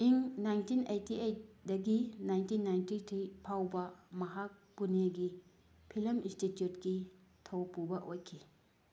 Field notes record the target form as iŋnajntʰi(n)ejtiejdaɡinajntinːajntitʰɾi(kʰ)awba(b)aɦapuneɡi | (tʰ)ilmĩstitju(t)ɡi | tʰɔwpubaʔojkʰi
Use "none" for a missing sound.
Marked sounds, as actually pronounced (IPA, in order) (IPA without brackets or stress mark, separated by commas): n, pʰ, m, pʰ, t